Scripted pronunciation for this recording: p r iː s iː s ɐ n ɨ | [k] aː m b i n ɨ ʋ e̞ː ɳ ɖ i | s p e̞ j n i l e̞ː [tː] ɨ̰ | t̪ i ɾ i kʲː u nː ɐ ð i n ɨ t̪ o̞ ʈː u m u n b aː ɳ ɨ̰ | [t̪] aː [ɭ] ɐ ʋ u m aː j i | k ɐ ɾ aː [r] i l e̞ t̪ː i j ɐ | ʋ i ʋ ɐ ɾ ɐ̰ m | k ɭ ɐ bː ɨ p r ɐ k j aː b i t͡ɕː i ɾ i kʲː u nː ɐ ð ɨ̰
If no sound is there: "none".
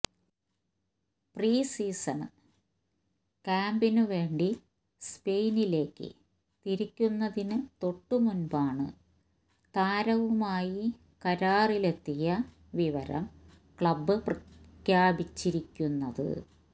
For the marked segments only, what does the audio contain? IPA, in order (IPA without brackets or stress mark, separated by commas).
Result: k, kː, t̪, ɾ, r